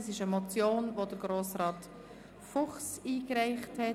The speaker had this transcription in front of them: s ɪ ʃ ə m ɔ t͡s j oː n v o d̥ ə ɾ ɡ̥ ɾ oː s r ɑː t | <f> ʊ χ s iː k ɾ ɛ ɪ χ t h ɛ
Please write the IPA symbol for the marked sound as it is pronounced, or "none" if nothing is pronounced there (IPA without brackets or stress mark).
f